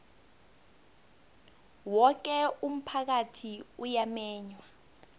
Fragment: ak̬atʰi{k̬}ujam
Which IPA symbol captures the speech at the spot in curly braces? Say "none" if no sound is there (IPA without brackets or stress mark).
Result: none